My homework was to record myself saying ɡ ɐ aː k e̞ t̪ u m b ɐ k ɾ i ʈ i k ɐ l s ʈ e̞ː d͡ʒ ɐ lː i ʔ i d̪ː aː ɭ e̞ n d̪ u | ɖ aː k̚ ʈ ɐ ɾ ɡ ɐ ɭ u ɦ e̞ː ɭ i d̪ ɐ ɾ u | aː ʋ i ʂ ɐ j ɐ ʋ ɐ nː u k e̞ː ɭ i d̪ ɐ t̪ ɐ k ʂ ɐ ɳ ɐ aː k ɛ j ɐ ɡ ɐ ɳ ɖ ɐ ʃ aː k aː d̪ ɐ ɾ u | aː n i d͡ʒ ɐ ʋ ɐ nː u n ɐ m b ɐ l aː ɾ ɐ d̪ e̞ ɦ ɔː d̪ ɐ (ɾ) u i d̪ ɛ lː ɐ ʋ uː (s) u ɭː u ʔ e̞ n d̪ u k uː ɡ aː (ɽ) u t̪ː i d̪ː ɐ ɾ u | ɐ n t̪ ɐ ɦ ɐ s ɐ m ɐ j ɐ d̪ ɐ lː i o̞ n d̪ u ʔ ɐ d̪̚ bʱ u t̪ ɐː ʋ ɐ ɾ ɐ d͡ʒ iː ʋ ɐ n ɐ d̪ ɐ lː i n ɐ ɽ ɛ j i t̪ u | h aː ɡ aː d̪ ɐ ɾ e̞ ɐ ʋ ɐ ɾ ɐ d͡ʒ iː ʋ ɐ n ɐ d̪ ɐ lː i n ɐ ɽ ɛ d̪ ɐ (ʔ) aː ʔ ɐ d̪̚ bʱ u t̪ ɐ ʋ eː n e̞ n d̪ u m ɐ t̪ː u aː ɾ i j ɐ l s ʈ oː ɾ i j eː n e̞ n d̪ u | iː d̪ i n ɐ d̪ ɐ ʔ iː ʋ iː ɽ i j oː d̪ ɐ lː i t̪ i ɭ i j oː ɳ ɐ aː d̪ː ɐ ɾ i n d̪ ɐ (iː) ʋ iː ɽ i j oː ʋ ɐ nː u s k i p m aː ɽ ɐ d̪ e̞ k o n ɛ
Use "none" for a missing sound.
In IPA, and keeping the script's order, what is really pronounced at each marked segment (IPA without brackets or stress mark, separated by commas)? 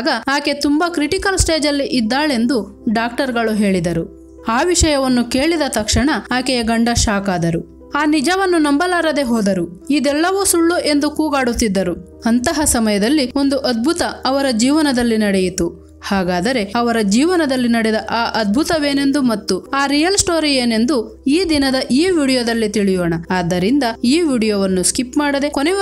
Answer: ɾ, s, ɽ, ʔ, iː